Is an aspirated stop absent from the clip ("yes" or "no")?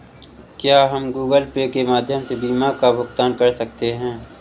yes